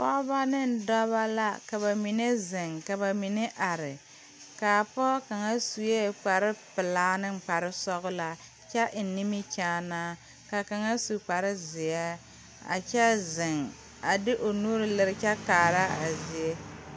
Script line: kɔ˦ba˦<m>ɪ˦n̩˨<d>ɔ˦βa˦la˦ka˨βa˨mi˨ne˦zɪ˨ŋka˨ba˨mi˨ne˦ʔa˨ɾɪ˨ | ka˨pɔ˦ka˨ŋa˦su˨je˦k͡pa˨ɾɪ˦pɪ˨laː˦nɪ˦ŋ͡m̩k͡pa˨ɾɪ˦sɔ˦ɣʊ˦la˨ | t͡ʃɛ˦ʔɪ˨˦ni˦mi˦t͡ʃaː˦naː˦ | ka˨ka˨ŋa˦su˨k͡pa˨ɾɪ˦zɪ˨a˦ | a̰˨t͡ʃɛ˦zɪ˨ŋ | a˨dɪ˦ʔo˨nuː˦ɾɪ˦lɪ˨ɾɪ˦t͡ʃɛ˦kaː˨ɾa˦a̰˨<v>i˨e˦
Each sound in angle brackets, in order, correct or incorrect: incorrect: n, correct, incorrect: z

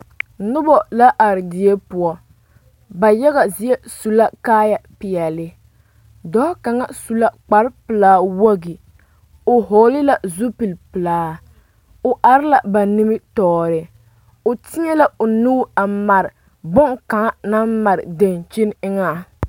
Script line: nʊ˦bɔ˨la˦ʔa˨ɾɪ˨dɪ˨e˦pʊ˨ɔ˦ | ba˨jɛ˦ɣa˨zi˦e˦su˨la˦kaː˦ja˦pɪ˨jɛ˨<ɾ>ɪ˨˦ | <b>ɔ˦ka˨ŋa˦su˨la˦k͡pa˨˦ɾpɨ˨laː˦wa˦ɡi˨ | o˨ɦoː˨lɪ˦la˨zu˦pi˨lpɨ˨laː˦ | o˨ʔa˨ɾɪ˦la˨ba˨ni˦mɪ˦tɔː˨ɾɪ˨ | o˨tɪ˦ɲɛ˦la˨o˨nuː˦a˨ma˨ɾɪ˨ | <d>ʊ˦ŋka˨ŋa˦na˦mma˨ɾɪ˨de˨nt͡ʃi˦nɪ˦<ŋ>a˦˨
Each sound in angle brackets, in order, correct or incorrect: incorrect: l, incorrect: d, incorrect: b, correct

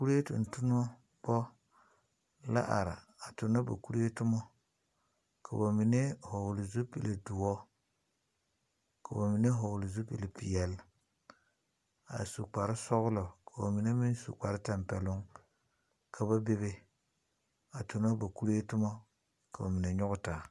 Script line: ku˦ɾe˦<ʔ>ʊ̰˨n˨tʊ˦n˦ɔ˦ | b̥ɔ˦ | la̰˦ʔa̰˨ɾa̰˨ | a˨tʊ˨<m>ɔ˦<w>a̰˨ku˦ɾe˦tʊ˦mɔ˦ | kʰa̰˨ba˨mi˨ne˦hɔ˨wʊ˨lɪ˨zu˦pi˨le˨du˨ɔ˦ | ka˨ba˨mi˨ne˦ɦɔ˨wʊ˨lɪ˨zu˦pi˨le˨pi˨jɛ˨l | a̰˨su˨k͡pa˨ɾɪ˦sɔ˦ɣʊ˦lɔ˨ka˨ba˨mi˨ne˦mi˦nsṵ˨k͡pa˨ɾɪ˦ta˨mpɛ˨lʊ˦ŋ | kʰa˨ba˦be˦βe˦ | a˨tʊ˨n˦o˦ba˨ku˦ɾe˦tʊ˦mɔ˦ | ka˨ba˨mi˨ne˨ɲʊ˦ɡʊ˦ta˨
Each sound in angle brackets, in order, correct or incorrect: incorrect: t, incorrect: n, incorrect: b

